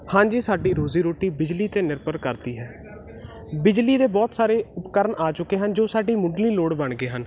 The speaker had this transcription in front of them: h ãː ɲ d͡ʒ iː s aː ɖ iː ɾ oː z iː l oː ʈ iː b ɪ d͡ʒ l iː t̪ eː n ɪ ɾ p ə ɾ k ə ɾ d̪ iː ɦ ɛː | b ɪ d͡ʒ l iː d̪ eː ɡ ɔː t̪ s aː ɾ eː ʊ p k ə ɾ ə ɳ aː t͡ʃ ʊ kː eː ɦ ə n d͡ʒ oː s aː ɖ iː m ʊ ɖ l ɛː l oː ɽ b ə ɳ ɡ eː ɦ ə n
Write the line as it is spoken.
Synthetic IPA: h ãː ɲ d͡ʒ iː s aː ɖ iː ɾ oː z iː ɾ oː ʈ iː b ɪ d͡ʒ l iː t̪ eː n ɪ ɾ p ə ɾ k ə ɾ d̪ iː ɦ ɛː | b ɪ d͡ʒ l iː d̪ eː b ɔː t̪ s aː ɾ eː ʊ p k ə ɾ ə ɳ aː t͡ʃ ʊ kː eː ɦ ə n d͡ʒ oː s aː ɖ iː m ʊ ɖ l iː l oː ɽ b ə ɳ ɡ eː ɦ ə n